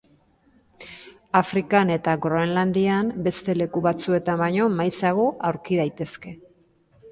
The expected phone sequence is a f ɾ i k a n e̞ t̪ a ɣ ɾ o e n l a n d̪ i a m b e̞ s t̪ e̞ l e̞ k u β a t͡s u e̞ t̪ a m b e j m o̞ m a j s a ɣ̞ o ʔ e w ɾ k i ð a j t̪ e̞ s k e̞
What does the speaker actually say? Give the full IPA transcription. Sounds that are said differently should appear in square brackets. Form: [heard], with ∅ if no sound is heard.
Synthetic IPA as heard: a f ɾ i k a n e̞ t̪ a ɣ ɾ o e n l a n d̪ i a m b e̞ s t̪ e̞ l e̞ k u β a t͡s u e̞ t̪ a m b [a] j [ɲ] o̞ m a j s a ɣ̞ o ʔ [a] w ɾ k i ð a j t̪ e̞ s k e̞